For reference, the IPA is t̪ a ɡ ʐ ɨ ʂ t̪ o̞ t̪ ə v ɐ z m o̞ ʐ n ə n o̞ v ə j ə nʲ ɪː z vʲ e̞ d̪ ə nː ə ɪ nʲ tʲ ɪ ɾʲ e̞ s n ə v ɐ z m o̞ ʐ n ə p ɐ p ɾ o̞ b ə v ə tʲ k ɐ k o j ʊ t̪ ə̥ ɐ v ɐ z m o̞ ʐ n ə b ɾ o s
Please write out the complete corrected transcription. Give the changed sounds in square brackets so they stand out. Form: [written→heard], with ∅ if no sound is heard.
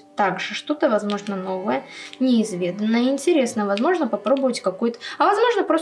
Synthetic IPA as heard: t̪ a ɡ ʐ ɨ ʂ t̪ o̞ t̪ ə v ɐ z m o̞ ʐ n ə n o̞ v ə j ə nʲ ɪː z vʲ e̞ d̪ ə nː ə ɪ nʲ tʲ ɪ ɾʲ e̞ s n ə v ɐ z m o̞ ʐ n ə p ɐ p ɾ o̞ b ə v ə tʲ k ɐ k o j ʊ t̪ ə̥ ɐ v ɐ z m o̞ ʐ n ə [b→p] ɾ o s